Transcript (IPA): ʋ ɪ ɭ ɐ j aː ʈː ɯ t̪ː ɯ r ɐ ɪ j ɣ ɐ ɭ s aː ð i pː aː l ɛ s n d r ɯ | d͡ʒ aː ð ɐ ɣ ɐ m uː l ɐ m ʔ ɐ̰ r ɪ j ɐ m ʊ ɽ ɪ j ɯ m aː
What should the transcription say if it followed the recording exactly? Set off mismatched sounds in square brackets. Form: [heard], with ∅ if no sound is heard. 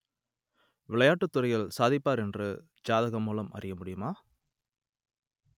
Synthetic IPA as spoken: ʋ ɪ ɭ ɐ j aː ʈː ɯ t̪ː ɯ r ɐ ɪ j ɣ ɐ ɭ s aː ð [ɪ] pː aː [ɾ] ɛ [∅] n d r ɯ | d͡ʒ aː ð ɐ ɣ ɐ m uː l ɐ m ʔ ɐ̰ r ɪ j ɐ m ʊ ɽ ɪ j ɯ m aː